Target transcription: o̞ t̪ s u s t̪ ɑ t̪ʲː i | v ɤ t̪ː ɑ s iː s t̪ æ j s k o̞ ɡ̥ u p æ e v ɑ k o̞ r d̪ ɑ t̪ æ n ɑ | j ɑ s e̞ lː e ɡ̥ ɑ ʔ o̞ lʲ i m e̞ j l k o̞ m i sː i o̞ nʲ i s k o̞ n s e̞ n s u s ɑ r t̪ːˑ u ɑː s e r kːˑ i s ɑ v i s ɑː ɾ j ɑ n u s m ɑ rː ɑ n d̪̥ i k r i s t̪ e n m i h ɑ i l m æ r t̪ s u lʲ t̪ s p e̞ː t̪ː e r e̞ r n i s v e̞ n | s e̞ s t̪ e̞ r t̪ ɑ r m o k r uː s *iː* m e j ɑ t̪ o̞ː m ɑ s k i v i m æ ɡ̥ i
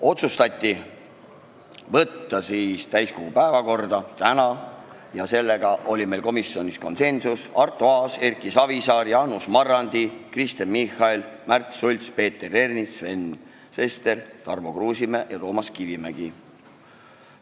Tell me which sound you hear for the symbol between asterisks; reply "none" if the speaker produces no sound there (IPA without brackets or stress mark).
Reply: i